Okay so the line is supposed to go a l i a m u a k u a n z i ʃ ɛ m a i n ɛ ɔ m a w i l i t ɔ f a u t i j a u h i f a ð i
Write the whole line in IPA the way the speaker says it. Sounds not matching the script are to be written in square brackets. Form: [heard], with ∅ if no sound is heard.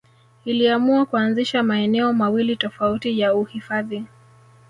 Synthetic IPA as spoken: [i] l i a m u a k u a n z i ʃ [a] m a [ɛ] n ɛ ɔ m a w i l i t ɔ f a u t i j a u h i f a ð i